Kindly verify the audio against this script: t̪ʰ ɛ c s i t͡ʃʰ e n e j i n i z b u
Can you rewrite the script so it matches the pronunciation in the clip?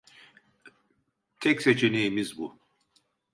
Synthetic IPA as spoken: t̪ʰ ɛ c s e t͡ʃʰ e n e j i m i z b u